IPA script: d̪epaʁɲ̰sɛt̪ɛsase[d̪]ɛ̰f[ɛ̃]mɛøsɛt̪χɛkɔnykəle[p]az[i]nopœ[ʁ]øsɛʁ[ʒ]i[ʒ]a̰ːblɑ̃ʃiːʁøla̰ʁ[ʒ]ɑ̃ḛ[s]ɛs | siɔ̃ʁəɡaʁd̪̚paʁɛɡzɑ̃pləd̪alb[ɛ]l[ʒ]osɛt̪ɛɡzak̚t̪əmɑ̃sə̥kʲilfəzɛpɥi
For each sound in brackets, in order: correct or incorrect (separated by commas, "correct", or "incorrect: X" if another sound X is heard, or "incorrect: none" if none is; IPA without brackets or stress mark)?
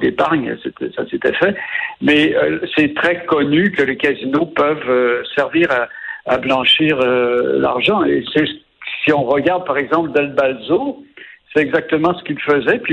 incorrect: t̪, incorrect: ɛ, incorrect: k, correct, incorrect: v, incorrect: v, incorrect: ʁ, correct, correct, incorrect: a, incorrect: z